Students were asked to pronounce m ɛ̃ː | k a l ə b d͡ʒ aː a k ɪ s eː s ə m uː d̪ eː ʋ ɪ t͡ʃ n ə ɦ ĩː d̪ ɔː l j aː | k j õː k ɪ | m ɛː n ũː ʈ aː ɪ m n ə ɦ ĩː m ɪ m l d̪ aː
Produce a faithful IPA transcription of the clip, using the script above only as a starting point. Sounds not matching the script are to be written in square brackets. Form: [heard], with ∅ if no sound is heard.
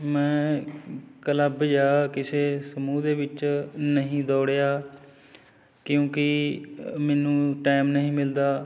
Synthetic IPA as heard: m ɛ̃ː | k [ə] l ə b d͡ʒ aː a k ɪ s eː s ə m uː d̪ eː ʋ ɪ t͡ʃ n ə ɦ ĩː d̪ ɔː [ɽ] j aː | k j õː k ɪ | m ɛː n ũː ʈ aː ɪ m n ə ɦ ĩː m ɪ [∅] l d̪ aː